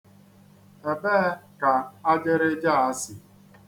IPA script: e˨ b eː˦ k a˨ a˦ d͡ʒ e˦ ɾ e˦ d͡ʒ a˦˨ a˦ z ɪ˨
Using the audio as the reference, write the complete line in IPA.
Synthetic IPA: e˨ b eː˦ k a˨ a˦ d͡ʒ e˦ ɾ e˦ d͡ʒ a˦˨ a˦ s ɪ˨